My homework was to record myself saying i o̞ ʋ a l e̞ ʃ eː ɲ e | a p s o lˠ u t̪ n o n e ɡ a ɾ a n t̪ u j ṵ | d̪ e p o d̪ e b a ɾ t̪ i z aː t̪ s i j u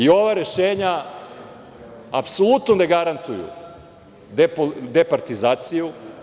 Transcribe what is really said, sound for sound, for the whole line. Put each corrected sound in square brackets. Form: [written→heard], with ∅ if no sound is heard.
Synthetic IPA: i o̞ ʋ a [l→ɾ] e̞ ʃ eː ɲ [e→a] | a p s o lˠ u t̪ n o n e ɡ a ɾ a n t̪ u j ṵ | d̪ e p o d̪ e [b→p] a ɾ t̪ i z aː t̪ s i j u